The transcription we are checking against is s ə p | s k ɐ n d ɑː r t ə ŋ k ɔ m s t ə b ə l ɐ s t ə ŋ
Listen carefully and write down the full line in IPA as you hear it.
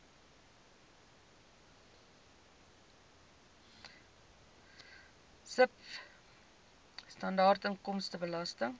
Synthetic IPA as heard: s ə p | s t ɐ n d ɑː r t ə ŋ k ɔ m s t ə b ə l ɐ s t ə ŋ